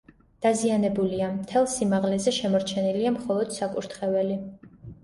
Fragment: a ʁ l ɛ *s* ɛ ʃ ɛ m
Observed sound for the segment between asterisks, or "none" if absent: z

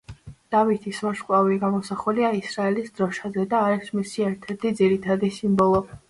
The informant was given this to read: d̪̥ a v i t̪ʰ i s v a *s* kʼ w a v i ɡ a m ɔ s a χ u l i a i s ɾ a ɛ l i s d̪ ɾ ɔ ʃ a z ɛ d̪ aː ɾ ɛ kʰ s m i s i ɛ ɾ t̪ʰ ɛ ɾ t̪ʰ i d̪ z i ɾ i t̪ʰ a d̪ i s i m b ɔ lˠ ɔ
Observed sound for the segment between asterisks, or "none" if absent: ʃ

